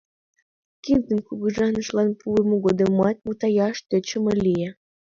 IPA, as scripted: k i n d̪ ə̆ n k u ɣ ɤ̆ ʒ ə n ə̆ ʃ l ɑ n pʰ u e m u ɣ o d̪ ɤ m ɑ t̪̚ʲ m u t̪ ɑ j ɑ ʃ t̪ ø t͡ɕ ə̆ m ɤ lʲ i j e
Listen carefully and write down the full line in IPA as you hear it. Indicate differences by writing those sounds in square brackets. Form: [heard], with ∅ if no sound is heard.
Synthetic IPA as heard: k i n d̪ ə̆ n k u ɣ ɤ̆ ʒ [ɑ] n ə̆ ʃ l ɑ n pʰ u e m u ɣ o d̪ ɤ m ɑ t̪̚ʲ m u t̪ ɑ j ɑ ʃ t̪ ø t͡ɕ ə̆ m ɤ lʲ i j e